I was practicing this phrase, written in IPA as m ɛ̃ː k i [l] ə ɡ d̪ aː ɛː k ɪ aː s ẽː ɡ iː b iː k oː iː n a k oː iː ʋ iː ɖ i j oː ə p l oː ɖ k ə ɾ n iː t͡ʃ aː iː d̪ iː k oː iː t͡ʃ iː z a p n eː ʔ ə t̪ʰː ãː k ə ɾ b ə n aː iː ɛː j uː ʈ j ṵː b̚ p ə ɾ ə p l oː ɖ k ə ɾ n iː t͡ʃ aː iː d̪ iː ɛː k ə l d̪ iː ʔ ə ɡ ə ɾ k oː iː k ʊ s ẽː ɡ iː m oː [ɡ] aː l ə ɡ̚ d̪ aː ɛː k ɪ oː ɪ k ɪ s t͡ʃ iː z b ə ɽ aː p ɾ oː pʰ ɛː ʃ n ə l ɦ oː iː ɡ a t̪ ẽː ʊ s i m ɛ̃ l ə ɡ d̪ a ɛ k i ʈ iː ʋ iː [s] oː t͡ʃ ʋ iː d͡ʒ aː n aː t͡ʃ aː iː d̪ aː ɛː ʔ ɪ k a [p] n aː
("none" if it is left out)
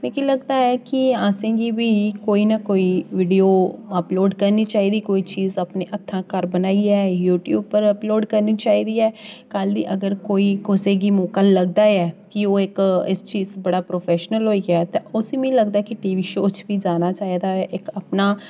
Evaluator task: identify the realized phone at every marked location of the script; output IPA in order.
l, k, ʃ, p

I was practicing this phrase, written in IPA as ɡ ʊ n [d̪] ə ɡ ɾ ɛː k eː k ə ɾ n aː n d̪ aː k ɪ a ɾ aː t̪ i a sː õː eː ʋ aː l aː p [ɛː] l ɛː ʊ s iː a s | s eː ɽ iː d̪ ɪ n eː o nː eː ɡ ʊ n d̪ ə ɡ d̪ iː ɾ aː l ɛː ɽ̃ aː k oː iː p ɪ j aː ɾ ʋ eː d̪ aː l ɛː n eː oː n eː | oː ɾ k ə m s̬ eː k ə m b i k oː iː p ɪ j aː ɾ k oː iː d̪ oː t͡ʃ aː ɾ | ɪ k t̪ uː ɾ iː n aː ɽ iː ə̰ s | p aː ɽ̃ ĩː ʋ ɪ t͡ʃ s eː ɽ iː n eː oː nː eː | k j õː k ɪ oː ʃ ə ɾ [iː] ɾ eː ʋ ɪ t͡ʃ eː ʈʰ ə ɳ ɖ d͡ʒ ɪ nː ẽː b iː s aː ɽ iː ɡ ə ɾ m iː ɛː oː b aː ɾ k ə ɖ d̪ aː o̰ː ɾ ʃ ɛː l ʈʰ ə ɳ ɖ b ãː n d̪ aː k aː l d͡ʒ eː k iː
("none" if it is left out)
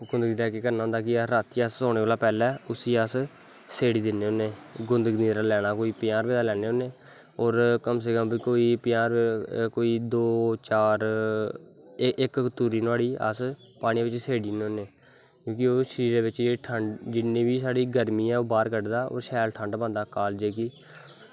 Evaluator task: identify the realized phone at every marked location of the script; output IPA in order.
d̪, ɛː, iː

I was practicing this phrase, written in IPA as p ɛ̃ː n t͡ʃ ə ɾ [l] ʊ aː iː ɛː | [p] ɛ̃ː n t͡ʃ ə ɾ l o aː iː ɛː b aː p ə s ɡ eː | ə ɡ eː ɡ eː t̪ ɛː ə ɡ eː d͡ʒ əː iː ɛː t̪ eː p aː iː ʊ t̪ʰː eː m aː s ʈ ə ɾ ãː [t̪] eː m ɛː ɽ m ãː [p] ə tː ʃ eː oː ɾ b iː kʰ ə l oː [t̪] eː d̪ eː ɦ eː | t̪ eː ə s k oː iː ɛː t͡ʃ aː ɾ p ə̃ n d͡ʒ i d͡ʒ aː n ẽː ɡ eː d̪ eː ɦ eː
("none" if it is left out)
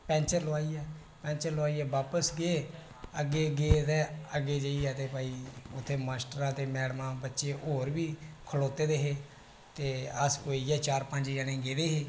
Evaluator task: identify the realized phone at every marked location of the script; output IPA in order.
l, p, t̪, b, t̪

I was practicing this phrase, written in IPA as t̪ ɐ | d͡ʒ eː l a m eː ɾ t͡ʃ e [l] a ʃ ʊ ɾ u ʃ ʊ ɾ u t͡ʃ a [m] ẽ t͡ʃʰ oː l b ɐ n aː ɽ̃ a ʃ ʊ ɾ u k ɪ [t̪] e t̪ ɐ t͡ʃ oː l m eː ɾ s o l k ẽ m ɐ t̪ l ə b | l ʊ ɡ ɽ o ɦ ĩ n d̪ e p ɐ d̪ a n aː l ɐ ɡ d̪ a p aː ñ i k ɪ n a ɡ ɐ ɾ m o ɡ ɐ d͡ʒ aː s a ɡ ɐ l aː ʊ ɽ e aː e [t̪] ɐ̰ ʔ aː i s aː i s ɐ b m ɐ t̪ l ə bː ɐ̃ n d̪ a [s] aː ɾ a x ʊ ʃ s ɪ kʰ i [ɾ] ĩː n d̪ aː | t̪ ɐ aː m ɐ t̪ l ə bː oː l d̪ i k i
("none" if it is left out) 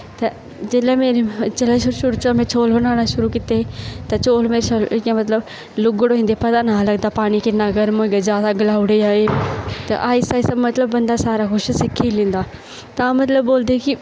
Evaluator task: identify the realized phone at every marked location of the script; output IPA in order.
l, m, t̪, t̪, s, l

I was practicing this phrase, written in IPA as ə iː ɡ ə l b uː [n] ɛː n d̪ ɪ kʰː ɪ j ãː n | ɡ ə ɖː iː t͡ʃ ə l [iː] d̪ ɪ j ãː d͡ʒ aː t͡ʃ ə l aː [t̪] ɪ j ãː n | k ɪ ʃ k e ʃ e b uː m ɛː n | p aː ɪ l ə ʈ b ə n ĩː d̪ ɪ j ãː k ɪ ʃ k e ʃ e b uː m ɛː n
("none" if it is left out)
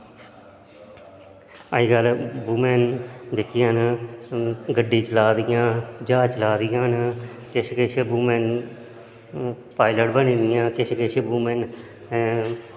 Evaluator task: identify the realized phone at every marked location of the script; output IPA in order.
m, aː, d̪

